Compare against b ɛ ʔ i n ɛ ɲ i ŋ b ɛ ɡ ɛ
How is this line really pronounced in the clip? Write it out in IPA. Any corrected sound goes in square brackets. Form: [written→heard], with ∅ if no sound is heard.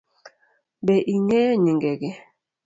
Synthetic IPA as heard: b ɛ ʔ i [n→ŋ] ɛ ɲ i ŋ [b→ɡ] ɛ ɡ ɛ